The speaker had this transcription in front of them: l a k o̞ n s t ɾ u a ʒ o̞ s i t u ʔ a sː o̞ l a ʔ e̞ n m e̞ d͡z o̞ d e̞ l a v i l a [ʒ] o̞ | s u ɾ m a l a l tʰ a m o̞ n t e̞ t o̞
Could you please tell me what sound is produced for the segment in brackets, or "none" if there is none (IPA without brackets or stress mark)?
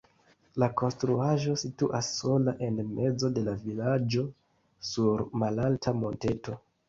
d͡ʒ